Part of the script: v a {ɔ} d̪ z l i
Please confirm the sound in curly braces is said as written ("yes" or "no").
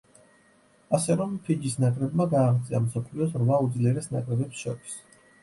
no